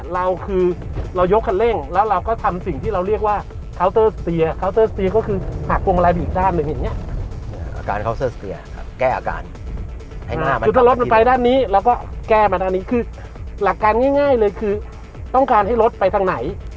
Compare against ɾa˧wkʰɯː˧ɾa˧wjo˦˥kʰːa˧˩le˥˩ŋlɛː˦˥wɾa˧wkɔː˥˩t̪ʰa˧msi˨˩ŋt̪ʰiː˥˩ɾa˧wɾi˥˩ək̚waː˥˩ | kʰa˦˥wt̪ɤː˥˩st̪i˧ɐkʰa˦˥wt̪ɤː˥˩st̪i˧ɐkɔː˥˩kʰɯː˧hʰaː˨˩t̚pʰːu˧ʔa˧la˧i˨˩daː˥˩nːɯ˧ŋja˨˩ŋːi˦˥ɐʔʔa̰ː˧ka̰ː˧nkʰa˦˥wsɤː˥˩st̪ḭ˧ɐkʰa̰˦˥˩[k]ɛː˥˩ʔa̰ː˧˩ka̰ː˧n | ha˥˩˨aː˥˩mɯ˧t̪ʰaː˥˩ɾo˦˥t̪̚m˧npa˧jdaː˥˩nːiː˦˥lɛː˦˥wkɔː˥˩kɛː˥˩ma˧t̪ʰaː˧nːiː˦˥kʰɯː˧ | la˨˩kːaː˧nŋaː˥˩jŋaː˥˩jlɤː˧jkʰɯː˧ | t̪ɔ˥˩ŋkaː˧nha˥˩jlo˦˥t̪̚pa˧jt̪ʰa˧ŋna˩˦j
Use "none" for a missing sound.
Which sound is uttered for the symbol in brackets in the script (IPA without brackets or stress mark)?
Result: k